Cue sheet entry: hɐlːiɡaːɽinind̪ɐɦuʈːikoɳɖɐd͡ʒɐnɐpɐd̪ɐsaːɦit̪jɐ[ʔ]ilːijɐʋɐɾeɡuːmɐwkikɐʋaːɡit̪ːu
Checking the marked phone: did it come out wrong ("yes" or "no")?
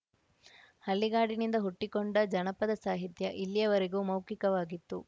no